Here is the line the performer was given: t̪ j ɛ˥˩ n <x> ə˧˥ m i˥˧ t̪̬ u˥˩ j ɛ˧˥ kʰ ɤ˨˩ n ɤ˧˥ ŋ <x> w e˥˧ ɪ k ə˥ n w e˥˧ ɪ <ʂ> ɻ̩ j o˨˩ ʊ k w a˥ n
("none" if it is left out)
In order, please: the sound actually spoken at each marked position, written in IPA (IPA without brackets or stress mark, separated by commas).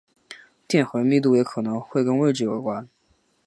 x, x, ʈ͡ʂ